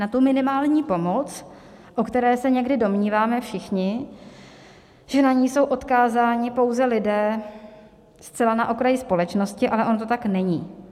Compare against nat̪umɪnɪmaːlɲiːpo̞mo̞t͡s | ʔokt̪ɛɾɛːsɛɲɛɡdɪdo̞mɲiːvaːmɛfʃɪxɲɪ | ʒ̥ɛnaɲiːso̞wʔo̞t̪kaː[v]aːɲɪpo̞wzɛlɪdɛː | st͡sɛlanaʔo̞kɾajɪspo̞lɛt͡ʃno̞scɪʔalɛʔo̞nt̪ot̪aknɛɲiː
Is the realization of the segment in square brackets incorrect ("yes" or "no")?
yes